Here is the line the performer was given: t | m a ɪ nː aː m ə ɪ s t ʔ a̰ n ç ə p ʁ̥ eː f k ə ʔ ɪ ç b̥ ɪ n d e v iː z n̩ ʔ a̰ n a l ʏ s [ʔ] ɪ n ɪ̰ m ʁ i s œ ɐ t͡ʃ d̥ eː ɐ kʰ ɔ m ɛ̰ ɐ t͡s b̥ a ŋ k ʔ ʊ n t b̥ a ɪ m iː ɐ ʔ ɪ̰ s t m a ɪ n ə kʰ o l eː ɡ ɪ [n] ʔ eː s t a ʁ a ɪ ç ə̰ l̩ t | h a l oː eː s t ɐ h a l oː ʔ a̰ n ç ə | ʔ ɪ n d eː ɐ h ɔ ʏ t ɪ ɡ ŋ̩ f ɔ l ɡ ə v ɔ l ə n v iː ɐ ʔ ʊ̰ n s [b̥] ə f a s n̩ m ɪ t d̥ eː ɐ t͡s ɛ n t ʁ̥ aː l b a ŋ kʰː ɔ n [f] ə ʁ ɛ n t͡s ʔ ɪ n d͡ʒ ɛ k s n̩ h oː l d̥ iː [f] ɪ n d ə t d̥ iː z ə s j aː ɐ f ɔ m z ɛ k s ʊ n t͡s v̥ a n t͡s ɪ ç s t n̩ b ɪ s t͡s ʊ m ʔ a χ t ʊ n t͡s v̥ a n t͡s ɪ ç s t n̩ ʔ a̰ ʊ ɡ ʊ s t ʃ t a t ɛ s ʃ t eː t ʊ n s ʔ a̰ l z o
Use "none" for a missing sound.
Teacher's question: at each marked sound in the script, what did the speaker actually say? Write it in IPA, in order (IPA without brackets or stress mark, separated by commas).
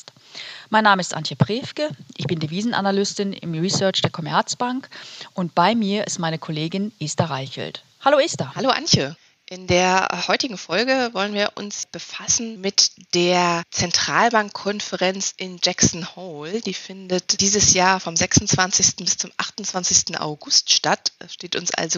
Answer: t, n, b̥, f, f